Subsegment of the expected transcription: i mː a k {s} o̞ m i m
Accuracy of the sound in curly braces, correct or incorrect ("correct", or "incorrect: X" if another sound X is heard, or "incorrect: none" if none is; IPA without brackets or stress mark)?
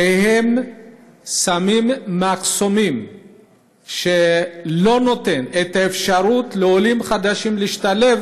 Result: correct